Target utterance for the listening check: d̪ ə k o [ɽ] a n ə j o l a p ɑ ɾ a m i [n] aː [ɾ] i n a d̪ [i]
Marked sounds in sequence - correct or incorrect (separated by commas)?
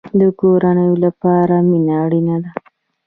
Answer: incorrect, correct, incorrect, incorrect